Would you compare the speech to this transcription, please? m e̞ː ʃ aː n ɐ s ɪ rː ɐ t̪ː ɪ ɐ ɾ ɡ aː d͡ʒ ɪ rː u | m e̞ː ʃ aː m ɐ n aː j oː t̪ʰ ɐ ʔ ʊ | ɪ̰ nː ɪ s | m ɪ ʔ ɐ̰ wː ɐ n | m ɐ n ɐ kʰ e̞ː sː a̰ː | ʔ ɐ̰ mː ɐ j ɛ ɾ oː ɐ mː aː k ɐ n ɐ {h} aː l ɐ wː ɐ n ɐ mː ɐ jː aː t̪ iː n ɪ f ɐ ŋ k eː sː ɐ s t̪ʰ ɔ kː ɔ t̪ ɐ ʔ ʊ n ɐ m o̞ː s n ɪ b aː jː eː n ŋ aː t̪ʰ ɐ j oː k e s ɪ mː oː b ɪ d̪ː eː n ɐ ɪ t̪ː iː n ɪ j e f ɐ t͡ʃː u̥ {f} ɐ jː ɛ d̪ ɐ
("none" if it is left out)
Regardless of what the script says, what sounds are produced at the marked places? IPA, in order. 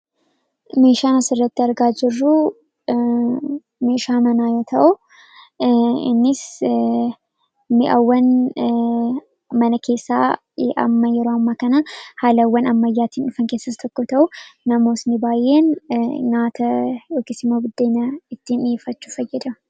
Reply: h, f

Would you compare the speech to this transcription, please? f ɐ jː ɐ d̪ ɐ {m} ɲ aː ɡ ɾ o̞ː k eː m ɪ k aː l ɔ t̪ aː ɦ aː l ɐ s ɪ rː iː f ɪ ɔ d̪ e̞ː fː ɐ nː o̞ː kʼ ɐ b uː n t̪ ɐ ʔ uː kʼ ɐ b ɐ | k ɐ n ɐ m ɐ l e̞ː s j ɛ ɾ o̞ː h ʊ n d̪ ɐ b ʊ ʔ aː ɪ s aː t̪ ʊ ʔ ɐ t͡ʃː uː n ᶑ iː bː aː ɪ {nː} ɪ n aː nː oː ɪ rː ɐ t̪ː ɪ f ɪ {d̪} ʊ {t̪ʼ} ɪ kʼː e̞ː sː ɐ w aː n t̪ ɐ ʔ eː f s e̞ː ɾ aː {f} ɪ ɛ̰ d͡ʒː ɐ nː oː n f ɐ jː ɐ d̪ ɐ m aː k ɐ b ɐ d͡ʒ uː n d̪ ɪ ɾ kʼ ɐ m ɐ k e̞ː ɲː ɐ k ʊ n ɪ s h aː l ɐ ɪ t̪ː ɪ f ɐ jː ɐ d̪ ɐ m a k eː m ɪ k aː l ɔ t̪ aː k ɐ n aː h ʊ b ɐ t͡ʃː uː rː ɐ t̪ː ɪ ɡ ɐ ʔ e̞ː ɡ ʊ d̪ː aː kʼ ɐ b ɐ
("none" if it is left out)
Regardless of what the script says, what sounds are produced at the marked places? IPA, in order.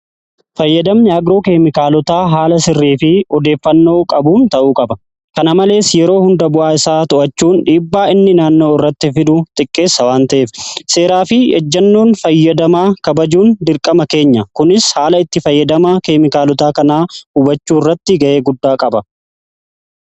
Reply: m, nː, d̪, t̪ʼ, f

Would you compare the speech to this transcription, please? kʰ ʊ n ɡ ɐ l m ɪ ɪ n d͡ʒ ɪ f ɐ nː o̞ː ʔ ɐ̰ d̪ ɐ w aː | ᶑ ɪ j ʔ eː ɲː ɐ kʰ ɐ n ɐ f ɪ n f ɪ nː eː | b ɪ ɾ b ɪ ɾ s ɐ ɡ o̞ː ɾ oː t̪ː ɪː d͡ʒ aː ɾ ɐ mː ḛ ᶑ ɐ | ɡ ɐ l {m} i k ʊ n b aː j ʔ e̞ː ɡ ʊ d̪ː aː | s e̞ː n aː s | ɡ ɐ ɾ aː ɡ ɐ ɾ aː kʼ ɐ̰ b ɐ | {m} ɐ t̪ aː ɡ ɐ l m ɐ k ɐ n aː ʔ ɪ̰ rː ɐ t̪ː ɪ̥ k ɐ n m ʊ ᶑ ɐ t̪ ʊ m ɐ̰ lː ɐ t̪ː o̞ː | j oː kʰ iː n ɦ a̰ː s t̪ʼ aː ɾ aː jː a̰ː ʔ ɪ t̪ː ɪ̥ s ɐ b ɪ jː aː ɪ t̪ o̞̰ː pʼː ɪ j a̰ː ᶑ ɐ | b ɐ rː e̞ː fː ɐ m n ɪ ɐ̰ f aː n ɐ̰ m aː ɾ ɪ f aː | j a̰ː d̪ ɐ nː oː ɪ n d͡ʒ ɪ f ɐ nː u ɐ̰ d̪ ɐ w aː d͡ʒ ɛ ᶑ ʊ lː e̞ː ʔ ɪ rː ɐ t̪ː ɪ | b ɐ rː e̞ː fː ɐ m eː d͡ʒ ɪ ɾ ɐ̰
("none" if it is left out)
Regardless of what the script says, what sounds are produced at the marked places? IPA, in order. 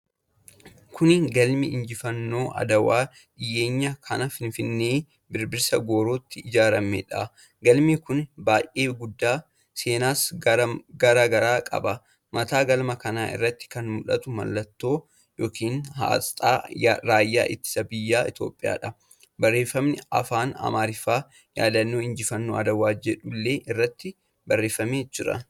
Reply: m, m

